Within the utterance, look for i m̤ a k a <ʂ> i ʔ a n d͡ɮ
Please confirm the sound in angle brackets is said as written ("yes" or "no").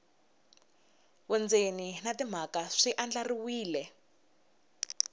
yes